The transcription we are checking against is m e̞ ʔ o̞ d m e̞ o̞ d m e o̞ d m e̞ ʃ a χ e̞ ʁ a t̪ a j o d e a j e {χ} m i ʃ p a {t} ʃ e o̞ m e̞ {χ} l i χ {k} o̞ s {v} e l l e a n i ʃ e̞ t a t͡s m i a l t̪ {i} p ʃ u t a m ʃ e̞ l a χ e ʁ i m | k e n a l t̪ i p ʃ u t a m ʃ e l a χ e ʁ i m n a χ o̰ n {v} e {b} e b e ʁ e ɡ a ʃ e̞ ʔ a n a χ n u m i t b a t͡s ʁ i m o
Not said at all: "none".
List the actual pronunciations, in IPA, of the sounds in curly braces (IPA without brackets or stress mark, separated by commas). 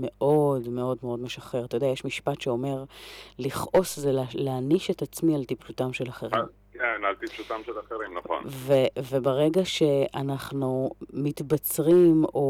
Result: ʃ, t, ʁ, ʔ, z, i, v, v